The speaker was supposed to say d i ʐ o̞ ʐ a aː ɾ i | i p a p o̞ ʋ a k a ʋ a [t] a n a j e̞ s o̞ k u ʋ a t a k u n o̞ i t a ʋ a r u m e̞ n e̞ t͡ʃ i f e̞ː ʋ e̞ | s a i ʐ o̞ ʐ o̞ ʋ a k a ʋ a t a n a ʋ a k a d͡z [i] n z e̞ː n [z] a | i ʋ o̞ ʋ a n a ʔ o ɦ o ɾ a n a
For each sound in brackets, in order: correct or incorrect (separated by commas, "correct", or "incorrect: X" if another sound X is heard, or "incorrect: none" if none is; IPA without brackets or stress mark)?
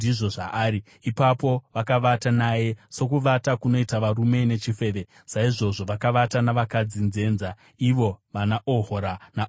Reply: correct, correct, correct